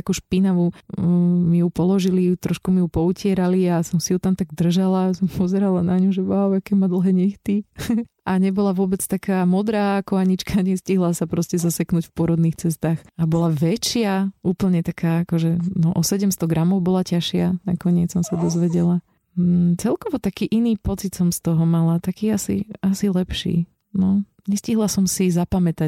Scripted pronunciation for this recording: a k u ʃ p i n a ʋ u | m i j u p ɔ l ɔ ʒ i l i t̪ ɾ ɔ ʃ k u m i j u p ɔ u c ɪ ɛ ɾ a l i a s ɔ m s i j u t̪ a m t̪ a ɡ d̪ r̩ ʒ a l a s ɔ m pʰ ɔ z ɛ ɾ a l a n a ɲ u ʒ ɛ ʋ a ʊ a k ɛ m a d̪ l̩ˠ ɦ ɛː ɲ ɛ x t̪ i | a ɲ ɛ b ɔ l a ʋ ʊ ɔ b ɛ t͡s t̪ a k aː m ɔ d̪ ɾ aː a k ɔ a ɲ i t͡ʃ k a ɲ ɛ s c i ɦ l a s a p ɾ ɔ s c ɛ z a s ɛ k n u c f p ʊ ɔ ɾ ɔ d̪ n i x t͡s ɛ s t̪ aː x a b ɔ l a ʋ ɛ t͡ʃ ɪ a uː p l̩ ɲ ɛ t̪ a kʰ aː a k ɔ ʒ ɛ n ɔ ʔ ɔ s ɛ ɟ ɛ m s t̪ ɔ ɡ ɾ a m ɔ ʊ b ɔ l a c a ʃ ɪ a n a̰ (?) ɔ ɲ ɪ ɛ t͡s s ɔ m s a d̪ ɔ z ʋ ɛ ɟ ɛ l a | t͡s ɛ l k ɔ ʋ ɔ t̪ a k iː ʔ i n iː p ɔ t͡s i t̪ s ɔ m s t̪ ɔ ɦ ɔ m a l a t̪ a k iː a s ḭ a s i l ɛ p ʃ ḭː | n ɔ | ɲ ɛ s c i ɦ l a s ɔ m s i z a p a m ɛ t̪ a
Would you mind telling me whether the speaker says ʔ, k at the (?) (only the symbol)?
k